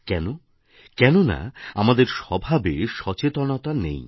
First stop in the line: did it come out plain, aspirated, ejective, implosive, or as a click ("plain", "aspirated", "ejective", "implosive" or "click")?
plain